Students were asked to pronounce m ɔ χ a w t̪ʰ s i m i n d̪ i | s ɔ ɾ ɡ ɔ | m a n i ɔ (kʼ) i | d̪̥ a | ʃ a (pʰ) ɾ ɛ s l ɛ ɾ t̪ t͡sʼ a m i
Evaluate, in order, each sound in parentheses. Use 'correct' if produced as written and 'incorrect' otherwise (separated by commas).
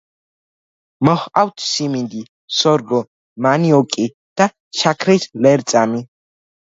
correct, incorrect